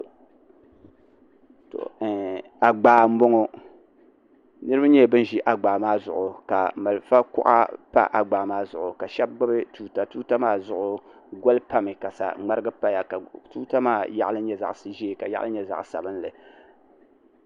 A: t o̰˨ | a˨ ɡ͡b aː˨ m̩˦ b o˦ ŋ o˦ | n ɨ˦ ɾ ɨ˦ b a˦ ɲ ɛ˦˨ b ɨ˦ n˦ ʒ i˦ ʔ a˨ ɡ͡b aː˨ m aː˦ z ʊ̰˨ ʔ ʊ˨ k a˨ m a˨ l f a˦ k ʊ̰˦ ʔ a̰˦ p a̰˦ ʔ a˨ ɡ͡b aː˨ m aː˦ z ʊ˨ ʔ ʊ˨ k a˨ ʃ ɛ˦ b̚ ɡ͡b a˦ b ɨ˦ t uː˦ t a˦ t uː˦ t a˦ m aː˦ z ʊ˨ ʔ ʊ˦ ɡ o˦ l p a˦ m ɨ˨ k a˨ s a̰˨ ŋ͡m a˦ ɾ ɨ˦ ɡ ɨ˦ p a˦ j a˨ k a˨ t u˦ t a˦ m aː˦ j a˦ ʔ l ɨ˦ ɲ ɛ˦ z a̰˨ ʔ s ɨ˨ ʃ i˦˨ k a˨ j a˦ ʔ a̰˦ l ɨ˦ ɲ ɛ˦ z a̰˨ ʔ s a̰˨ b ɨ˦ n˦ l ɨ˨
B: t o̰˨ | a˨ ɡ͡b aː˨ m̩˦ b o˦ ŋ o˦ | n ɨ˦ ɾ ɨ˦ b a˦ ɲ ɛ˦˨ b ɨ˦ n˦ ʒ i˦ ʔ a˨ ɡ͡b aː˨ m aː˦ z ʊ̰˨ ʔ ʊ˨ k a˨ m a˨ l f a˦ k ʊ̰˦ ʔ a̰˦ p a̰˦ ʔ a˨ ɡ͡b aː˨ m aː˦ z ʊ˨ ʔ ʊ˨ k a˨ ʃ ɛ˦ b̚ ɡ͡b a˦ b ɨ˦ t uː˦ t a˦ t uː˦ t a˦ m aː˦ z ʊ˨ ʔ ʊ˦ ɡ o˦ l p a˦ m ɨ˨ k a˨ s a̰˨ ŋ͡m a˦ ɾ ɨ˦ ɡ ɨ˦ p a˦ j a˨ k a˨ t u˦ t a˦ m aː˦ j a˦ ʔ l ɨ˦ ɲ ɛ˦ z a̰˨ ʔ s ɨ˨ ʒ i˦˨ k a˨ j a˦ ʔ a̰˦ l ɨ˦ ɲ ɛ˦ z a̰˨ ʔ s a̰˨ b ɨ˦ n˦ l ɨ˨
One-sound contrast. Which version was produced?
B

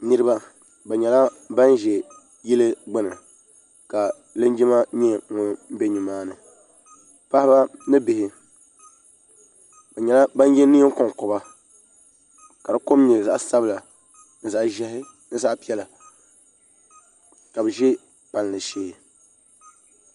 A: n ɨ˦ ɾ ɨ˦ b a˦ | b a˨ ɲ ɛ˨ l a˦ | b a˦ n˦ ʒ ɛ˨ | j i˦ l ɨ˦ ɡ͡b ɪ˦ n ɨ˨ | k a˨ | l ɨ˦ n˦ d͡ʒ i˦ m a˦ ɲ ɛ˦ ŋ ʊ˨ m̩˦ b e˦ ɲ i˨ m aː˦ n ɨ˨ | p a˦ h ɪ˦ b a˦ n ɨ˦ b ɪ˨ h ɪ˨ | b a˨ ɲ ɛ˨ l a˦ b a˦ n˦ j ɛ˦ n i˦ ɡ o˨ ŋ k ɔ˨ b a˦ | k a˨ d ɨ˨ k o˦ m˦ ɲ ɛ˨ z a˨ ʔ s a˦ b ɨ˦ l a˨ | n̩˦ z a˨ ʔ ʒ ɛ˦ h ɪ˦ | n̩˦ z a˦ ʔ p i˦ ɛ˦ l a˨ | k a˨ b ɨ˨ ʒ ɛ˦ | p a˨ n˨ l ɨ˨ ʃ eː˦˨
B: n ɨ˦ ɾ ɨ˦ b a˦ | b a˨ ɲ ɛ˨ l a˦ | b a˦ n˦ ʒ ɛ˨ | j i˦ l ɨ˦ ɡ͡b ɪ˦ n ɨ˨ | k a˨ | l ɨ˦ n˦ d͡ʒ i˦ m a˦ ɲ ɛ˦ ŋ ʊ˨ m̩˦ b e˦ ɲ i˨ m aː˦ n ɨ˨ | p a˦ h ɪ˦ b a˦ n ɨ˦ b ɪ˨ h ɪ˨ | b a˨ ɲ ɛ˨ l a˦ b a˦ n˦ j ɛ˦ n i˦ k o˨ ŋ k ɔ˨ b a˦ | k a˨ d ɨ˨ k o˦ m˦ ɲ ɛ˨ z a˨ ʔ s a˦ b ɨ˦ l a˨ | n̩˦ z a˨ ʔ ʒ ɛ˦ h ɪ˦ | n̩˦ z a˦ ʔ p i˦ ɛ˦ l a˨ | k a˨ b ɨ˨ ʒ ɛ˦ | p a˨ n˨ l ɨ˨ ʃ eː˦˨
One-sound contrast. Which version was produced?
B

